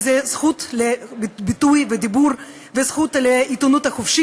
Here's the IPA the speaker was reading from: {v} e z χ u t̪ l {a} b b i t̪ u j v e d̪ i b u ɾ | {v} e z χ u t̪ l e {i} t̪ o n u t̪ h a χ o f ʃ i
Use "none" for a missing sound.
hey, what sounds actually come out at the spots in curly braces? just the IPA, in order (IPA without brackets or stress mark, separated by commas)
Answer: z, e, v, i